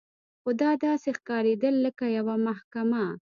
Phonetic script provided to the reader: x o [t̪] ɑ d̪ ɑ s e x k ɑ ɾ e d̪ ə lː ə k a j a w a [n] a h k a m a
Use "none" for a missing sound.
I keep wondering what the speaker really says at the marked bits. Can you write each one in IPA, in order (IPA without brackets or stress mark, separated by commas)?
d̪, m